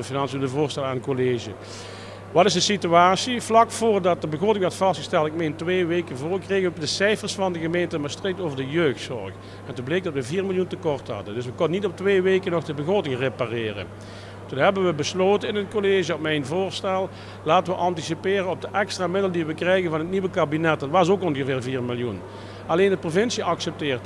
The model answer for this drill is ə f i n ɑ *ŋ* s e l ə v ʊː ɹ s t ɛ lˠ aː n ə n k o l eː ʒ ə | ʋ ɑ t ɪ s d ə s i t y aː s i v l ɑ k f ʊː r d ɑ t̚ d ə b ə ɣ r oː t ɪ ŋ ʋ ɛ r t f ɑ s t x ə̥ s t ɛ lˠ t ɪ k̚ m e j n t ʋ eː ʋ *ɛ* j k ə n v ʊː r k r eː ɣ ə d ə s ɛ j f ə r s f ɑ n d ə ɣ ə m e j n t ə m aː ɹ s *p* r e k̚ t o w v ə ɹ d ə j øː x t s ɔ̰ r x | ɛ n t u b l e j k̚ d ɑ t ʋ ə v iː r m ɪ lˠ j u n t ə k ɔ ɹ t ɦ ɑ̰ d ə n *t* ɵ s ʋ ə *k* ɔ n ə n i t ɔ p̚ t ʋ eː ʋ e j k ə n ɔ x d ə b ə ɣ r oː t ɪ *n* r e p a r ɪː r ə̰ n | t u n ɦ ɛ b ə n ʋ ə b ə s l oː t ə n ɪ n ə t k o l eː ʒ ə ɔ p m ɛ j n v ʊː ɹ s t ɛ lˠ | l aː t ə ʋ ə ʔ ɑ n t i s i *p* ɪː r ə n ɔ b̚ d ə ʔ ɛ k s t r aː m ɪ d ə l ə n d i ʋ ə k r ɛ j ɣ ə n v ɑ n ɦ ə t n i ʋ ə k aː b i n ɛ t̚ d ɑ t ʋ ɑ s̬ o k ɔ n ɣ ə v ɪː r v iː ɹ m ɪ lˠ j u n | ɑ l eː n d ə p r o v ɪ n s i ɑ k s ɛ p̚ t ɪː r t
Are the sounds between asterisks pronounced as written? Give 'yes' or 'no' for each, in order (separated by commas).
no, no, no, no, yes, no, yes